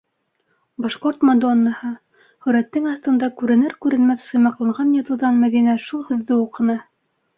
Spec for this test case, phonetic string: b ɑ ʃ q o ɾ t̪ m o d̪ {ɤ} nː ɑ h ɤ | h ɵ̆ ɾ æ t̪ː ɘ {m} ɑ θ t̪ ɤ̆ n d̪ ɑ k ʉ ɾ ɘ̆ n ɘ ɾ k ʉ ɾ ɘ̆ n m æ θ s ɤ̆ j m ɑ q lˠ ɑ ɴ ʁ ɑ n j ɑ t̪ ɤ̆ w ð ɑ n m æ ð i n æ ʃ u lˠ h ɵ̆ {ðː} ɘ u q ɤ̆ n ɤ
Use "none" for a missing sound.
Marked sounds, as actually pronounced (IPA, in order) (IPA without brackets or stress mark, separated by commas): o, ŋ, ðː